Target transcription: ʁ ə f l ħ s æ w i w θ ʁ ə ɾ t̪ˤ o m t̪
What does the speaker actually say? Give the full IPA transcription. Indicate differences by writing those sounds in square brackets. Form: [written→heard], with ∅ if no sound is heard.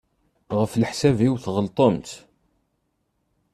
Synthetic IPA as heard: ʁ ə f l ħ s æ [w→v] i w θ ʁ ə [ɾ→l] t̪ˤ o m t̪